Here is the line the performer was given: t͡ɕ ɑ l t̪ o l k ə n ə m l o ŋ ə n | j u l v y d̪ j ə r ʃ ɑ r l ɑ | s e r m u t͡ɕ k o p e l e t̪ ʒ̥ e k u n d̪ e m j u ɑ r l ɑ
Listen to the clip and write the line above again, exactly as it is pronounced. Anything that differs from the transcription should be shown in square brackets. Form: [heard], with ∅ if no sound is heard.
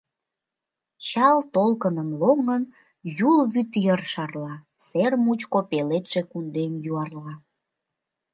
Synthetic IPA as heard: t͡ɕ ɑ l t̪ o l k ə n ə m l o ŋ ə n | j u l [β] y [t̪] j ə r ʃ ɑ r l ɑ | s e r m u t͡ɕ k o p e l e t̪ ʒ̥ e k u n d̪ e m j u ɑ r l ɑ

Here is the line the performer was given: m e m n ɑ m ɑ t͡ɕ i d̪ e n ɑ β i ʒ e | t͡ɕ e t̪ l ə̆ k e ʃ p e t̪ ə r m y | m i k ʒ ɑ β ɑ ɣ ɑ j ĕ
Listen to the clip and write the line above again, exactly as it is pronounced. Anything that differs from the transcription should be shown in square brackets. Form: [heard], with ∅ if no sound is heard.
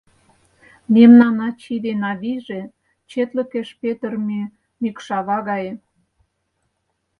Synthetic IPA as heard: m e m n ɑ [n] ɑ t͡ɕ i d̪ e n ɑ β i ʒ e | t͡ɕ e t̪ l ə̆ k e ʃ p e t̪ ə r m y | m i k [ʃ] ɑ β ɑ ɣ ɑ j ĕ

